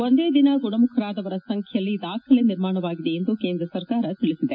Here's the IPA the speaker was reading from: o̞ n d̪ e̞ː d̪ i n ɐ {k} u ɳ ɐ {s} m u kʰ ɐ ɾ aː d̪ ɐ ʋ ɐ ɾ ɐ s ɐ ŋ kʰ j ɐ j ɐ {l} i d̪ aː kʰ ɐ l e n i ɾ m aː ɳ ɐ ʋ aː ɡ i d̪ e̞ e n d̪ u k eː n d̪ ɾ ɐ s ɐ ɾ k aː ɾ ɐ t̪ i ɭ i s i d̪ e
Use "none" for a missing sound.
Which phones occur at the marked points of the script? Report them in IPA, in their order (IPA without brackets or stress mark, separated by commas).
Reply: ɡ, none, lː